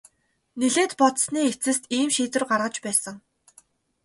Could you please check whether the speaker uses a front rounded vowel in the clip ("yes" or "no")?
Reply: no